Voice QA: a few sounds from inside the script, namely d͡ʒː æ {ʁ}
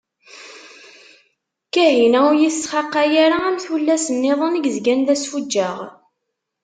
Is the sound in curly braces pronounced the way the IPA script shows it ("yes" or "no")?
yes